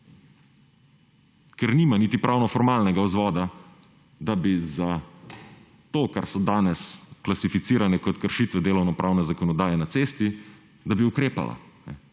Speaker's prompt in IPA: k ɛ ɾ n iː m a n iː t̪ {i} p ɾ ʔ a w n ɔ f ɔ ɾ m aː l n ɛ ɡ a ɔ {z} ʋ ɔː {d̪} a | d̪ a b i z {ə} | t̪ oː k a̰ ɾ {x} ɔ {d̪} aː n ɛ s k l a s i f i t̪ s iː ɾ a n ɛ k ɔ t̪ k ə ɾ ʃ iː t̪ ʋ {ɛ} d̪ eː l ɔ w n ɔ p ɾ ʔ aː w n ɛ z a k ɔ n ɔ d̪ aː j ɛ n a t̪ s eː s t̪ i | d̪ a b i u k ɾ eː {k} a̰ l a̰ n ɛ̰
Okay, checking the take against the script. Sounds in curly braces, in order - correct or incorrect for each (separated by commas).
correct, correct, correct, incorrect, incorrect, correct, correct, incorrect